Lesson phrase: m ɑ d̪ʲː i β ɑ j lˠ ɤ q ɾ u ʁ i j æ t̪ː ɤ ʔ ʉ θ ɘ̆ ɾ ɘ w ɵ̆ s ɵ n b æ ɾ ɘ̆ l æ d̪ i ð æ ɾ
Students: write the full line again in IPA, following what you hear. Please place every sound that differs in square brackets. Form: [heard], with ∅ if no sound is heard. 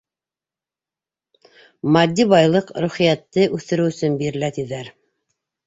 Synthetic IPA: m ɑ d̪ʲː i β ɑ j lˠ ɤ q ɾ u [χ] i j æ t̪ː ɤ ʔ ʉ θ ɘ̆ ɾ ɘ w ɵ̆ s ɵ n b [i] ɾ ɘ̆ l æ [t̪] i ð æ ɾ